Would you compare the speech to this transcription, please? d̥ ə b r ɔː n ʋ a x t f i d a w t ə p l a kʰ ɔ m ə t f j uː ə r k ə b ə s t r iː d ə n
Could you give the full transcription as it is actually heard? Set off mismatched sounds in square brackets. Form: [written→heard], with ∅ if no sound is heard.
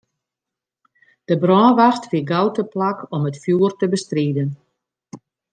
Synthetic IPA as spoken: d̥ ə b r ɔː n ʋ a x t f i [d→ɡ] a w t ə p l a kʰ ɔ m ə t f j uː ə r [k→t] ə b ə s t r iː d ə n